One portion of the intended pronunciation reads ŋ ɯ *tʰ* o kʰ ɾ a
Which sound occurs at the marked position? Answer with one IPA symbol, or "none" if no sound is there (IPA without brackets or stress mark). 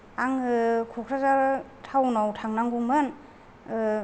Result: kʰ